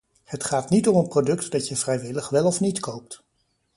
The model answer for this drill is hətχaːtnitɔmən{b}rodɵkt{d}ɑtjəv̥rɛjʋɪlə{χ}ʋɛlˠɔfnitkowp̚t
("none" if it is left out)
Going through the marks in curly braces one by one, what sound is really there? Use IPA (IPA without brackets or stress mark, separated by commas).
p, d, χ